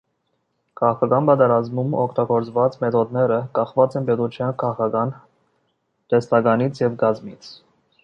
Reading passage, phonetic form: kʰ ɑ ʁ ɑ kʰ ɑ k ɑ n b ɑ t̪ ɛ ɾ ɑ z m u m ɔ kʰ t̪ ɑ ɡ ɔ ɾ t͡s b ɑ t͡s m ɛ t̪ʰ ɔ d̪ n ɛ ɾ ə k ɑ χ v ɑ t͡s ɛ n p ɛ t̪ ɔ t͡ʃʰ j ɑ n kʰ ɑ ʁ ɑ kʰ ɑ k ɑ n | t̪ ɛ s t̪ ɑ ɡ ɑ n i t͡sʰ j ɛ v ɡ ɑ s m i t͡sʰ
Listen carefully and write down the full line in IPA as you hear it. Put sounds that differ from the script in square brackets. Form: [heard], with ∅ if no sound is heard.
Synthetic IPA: kʰ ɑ ʁ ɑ kʰ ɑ k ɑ n b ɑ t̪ ɛ ɾ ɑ z m u m ɔ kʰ t̪ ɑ ɡ ɔ ɾ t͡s [v] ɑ t͡s m ɛ t̪ʰ ɔ d̪ n ɛ ɾ ə k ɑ χ v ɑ t͡s ɛ n p ɛ t̪ [u] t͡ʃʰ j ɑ n kʰ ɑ ʁ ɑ kʰ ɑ k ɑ n | t̪ ɛ s t̪ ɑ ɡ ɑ n i t͡sʰ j ɛ v ɡ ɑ [z] m i t͡sʰ